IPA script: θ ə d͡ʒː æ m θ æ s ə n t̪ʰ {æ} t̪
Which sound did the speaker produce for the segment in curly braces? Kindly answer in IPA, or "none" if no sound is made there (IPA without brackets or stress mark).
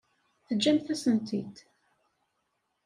i